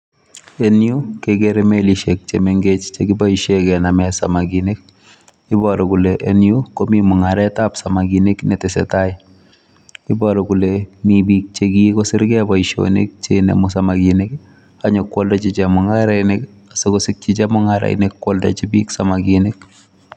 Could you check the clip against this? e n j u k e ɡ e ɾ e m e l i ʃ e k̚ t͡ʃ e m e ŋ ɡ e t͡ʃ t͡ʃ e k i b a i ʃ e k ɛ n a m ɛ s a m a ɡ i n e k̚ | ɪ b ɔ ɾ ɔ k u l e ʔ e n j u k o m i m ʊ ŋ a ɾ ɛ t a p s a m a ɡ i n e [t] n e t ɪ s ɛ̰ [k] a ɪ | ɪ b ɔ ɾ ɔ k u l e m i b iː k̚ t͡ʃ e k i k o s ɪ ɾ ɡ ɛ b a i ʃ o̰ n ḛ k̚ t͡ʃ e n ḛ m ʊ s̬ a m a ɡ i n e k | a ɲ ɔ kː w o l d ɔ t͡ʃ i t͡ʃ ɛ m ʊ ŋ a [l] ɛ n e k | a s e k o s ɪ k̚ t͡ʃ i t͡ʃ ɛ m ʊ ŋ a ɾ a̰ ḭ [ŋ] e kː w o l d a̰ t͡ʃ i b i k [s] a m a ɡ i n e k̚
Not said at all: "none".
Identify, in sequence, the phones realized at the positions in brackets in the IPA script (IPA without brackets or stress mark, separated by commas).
k, t, ɾ, n, s